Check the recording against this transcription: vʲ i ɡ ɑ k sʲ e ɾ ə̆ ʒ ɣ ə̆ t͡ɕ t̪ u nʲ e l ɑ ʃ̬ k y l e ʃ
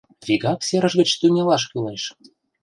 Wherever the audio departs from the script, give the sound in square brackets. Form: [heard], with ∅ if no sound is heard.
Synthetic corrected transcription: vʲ i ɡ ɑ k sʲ e ɾ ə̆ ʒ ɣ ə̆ t͡ɕ t̪ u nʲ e l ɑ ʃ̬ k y l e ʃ